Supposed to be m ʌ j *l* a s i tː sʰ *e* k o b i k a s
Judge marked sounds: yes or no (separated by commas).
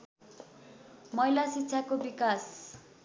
yes, no